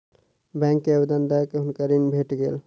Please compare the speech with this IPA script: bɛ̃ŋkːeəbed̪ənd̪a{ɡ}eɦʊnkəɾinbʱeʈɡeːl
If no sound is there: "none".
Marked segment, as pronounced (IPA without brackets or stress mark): k